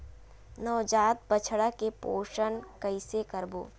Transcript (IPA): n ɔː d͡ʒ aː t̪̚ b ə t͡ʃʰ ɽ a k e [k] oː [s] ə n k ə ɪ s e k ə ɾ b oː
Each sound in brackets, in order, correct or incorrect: incorrect, incorrect

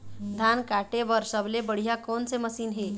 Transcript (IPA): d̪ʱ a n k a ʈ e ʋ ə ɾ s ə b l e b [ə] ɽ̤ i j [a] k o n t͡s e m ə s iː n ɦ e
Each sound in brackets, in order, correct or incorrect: correct, correct

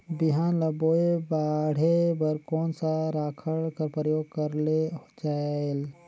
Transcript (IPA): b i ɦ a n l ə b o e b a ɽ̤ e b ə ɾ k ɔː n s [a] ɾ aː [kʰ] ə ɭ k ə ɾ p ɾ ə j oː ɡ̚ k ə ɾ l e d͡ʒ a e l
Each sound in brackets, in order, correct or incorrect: correct, correct

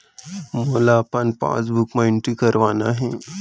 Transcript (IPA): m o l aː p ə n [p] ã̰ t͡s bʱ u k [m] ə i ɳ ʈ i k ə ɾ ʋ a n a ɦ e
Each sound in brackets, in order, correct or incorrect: correct, correct

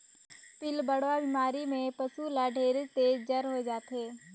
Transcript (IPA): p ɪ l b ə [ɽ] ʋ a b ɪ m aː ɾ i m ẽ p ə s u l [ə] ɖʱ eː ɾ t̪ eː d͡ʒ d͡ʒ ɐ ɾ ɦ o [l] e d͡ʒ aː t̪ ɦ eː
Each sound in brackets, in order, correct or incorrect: correct, incorrect, incorrect

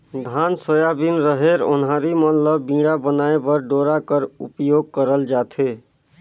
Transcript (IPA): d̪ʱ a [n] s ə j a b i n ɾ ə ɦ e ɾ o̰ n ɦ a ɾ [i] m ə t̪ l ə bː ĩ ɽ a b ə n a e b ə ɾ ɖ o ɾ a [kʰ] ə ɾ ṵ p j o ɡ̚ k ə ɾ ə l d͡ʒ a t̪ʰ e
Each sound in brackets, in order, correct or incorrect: correct, correct, incorrect

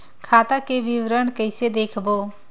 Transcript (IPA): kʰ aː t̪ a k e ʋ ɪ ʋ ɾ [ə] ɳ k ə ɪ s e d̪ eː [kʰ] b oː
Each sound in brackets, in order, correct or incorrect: correct, correct

